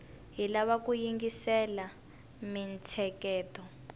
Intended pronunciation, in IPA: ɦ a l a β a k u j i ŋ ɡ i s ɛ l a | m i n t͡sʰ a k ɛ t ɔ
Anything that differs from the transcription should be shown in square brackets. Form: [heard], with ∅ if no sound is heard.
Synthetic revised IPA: ɦ [i] l a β a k u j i ŋ ɡ i s ɛ l a | m i n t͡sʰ [ɛ] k [ɛː] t ɔ